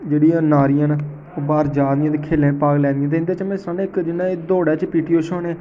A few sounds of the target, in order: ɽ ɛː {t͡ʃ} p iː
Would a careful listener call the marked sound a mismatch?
no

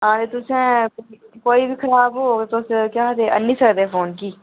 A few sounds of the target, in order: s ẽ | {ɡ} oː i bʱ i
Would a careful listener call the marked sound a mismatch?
yes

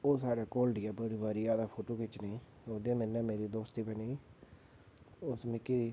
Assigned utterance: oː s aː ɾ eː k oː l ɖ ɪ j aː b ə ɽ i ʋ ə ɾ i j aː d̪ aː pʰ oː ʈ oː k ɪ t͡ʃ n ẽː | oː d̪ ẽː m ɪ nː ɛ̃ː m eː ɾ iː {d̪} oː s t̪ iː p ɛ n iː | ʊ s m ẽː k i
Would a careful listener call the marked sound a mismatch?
no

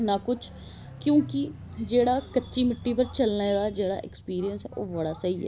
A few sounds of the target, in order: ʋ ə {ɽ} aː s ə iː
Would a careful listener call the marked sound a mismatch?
no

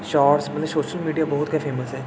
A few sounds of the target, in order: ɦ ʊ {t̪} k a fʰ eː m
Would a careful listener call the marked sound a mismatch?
no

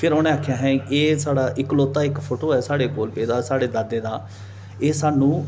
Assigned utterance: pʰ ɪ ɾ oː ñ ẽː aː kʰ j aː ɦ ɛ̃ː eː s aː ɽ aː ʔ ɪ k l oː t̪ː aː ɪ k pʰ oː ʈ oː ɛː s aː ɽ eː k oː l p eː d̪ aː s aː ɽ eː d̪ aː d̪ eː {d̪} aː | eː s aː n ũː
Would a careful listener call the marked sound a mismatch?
no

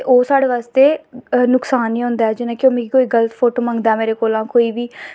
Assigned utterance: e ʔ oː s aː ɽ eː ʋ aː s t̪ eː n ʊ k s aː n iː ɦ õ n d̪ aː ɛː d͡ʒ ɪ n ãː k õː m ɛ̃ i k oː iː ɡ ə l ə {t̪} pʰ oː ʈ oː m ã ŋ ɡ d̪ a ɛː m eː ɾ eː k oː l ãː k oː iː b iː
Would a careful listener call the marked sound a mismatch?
no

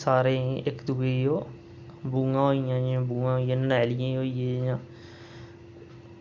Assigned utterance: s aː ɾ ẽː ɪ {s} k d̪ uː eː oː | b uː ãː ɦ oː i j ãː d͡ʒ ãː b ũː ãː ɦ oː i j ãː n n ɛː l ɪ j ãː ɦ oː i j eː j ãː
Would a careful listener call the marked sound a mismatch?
yes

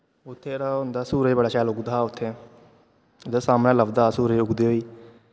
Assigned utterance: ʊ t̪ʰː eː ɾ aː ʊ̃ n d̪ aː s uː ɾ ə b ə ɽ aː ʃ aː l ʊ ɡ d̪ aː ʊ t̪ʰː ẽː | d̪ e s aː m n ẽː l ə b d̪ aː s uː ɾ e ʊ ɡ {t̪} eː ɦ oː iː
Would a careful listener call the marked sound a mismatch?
yes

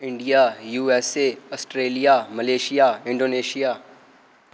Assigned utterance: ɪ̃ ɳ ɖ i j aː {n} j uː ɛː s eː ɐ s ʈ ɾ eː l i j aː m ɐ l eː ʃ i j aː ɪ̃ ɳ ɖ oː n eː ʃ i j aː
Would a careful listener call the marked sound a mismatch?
yes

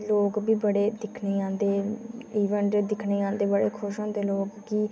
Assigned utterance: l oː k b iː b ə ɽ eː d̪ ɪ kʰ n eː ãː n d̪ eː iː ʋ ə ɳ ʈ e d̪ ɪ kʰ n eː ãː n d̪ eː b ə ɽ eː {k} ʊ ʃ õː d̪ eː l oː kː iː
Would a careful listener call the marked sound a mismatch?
yes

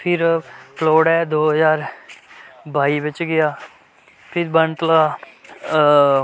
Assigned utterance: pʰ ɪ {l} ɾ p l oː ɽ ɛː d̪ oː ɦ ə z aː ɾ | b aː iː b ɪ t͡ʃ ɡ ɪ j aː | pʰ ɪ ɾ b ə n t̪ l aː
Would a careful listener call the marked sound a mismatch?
yes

